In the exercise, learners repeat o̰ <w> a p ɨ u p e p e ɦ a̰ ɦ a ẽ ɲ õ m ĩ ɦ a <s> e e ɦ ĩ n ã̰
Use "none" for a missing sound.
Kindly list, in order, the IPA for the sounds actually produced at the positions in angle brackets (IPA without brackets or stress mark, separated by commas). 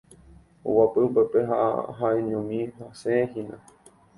w, s